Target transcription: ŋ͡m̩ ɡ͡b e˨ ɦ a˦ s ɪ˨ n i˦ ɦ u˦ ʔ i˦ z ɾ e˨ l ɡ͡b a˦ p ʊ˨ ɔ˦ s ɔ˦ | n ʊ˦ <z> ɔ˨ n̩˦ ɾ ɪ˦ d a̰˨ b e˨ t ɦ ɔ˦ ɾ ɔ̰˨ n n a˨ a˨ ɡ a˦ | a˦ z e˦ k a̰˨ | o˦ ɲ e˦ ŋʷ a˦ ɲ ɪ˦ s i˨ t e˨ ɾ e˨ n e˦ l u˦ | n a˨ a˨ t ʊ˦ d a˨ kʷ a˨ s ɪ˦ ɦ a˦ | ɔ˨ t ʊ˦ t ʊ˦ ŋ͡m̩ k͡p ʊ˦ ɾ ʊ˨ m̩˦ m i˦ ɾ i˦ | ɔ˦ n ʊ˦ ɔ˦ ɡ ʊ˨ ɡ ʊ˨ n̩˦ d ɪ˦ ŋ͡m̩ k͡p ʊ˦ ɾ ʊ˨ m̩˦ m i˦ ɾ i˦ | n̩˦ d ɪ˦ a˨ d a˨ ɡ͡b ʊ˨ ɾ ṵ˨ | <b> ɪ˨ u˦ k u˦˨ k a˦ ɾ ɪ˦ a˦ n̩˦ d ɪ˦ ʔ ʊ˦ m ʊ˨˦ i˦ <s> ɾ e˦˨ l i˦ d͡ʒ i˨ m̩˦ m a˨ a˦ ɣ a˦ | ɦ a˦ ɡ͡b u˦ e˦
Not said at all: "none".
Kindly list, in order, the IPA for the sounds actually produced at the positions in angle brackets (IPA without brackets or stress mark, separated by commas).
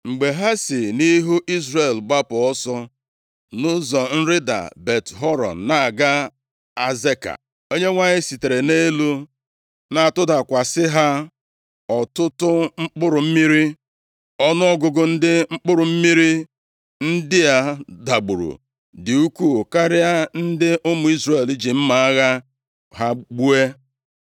z, d, z